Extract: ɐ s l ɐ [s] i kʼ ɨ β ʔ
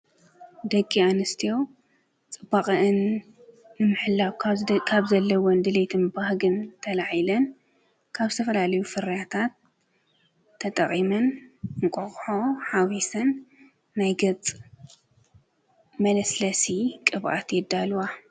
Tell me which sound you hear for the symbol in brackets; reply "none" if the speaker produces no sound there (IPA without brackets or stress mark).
s